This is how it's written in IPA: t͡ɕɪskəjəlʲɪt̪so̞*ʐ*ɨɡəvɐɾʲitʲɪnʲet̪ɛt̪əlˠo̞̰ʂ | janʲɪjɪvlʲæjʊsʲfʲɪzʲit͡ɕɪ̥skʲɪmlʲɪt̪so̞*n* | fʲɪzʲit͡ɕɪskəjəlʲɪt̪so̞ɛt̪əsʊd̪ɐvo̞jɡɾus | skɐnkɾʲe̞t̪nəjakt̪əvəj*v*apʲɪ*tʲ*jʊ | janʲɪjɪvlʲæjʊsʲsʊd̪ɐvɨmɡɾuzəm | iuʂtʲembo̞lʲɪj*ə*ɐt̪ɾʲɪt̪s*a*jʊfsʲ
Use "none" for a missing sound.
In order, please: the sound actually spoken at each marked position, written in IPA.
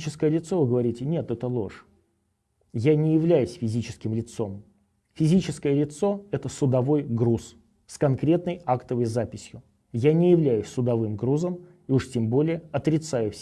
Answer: v, m, z, sʲ, ə, a

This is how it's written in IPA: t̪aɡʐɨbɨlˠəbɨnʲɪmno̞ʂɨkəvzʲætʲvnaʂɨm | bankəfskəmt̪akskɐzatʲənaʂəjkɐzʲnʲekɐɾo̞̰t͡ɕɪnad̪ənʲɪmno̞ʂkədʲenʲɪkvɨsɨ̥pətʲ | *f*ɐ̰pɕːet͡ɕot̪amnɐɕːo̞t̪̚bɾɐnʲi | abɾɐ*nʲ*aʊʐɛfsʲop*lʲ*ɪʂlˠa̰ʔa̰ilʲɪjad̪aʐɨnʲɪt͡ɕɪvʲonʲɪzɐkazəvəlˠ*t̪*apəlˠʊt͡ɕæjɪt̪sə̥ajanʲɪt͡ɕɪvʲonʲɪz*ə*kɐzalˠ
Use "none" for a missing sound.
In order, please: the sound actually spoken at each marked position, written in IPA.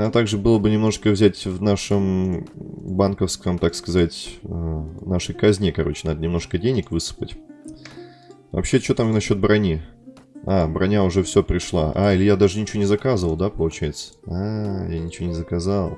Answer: v, nʲ, ɾʲ, d̪, ə

